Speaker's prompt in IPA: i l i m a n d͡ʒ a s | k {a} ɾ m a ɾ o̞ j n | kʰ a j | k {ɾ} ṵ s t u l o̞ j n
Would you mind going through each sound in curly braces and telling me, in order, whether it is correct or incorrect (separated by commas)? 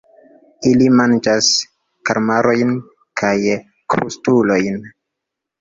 correct, correct